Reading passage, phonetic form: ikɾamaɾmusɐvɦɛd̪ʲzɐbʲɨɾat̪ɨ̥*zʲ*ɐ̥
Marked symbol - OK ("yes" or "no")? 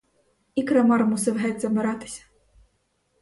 no